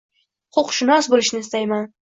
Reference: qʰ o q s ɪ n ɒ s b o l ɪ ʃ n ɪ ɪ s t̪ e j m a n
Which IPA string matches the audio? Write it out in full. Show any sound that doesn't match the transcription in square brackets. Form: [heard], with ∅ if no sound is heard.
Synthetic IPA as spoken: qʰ o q [ʃ] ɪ n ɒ s b o l ɪ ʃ n ɪ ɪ s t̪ [a] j m a n